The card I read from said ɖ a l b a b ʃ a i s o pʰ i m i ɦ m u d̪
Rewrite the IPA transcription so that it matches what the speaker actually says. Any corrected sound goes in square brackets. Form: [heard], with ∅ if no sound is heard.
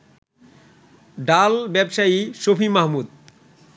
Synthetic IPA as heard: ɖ a l b [ɛ] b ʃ a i [ʃ] o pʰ i m [a] ɦ m u d̪